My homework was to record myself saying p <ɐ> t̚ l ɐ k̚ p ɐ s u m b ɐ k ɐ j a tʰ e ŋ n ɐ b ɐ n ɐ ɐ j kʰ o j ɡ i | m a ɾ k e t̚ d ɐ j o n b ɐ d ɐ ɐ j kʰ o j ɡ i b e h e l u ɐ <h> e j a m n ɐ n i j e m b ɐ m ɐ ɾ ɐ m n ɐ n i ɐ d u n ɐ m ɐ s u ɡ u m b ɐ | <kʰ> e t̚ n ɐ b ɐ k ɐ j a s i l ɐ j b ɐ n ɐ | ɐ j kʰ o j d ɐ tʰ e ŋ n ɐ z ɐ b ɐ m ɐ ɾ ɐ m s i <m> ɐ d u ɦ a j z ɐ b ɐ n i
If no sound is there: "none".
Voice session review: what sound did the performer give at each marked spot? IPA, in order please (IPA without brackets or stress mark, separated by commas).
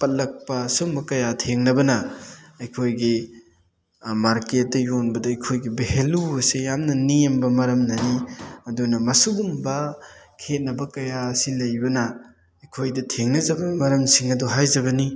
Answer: ɐ, s, kʰ, ŋ